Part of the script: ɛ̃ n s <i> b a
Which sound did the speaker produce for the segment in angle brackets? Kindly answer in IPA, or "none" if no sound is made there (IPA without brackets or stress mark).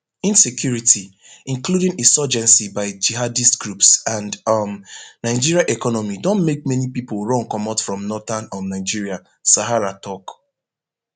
i